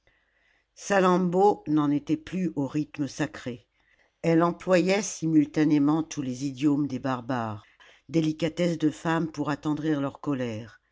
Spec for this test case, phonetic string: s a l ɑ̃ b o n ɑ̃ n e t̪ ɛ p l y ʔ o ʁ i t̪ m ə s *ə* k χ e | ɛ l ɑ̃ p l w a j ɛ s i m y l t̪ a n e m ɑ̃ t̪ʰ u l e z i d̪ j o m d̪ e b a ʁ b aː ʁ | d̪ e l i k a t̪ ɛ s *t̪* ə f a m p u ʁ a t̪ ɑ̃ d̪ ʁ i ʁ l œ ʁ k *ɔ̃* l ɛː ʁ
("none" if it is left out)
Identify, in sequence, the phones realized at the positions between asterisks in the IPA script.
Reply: a, d̪, ɔ

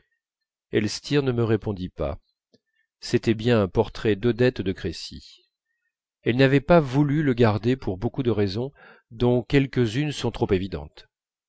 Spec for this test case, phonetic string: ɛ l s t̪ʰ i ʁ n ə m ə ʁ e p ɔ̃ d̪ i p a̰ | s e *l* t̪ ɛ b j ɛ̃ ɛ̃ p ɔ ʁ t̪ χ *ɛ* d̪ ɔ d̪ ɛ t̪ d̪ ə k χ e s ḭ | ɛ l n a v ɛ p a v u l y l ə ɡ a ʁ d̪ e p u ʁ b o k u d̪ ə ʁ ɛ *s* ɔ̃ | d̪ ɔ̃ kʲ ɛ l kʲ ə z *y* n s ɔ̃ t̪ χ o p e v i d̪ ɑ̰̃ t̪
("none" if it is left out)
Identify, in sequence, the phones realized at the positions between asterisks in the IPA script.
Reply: none, ɛ, z, y

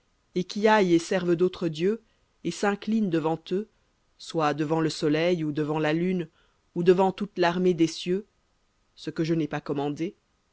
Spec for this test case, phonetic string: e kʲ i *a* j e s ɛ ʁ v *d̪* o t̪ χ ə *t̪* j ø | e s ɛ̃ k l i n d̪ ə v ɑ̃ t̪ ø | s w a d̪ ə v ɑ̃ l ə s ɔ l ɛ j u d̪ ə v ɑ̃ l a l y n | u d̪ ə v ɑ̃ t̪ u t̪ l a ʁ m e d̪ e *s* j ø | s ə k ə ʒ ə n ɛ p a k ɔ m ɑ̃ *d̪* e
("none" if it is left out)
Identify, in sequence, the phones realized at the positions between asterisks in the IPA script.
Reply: a, d̪, d̪, s, d̪

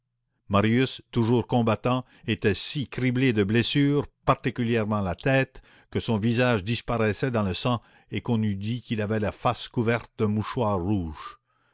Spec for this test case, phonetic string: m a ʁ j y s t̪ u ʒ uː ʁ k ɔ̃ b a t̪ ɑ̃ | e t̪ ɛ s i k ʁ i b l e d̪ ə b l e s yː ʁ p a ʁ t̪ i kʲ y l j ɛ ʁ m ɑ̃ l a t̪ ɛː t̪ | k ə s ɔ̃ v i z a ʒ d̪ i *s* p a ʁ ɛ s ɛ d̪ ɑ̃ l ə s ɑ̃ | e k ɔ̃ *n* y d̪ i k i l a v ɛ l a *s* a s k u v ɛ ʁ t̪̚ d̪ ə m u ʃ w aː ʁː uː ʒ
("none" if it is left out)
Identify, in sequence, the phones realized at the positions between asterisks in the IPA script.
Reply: s, n, f

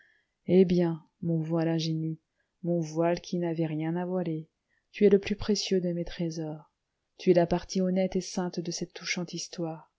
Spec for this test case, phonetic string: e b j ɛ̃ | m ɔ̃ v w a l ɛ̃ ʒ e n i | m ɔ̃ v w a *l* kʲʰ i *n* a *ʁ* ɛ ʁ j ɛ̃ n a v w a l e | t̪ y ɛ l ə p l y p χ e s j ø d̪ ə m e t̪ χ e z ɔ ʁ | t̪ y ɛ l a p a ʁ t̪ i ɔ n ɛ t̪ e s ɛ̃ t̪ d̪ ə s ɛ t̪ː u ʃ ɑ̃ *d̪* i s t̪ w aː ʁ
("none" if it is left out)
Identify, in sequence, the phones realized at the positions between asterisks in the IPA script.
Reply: l, n, v, t̪

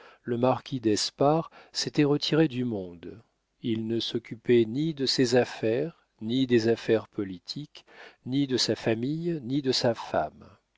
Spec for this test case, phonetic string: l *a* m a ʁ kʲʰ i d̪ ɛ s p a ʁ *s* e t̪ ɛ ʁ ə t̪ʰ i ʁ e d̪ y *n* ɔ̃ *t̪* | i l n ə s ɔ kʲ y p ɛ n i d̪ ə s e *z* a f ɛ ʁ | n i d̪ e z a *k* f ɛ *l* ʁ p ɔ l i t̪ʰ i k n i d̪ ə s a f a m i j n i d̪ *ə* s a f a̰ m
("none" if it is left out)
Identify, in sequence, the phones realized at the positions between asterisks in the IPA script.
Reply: ə, s, m, d̪, z, none, none, ə

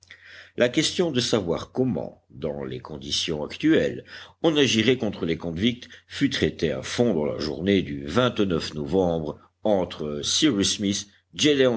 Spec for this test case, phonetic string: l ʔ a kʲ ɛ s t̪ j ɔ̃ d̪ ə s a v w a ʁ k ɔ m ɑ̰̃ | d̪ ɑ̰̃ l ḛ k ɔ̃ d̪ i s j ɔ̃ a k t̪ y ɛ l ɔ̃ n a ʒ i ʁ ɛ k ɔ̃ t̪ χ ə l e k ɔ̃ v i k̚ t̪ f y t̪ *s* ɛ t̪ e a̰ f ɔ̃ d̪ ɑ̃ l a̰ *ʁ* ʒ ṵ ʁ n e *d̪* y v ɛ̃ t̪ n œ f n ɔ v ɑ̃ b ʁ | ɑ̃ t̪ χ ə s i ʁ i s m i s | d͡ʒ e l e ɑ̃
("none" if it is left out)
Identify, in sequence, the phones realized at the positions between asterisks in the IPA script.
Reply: χ, none, d̪

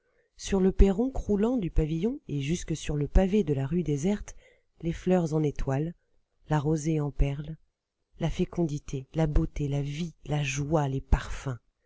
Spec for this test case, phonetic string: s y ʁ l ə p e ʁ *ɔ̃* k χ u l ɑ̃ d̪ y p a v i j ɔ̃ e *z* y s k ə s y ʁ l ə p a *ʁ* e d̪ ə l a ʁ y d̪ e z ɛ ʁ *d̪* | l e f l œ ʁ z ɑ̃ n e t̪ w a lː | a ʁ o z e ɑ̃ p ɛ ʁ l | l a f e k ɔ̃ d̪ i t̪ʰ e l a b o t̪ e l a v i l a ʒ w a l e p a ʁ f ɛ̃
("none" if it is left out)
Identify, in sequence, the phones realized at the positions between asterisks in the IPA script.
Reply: ɔ̃, ʒ, v, t̪

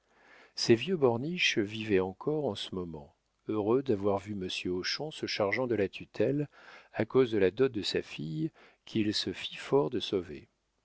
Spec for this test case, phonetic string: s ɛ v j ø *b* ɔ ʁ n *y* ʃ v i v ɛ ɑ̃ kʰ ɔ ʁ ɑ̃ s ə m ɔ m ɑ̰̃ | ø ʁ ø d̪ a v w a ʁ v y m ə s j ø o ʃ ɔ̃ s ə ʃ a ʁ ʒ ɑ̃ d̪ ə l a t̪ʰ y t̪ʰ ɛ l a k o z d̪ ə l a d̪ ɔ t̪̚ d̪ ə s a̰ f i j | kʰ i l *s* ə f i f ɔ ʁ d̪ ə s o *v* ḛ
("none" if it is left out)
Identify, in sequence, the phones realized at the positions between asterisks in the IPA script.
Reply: b, i, s, v

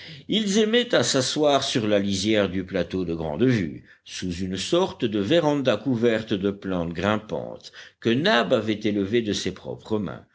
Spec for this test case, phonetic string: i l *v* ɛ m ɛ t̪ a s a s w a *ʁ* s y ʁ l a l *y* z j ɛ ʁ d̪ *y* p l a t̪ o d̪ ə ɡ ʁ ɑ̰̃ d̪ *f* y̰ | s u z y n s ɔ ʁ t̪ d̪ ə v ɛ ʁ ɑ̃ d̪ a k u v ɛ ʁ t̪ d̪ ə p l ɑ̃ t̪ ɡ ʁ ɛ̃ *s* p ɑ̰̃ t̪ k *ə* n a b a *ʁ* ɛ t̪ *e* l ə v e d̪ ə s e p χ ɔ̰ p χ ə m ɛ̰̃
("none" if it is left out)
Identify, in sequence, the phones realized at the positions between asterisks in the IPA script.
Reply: z, ʁ, i, y, v, none, ə, v, e

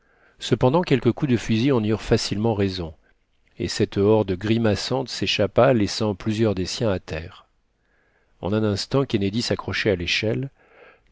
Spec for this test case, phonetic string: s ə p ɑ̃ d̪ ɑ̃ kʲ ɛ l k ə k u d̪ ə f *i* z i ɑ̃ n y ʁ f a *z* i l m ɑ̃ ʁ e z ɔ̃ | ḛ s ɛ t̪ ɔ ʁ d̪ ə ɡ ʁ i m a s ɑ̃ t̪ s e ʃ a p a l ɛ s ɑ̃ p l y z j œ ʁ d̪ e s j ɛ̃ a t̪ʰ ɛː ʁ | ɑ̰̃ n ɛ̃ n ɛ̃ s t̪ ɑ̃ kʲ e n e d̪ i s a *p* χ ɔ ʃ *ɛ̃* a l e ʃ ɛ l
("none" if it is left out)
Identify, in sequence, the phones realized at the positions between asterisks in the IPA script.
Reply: y, s, k, ɛ

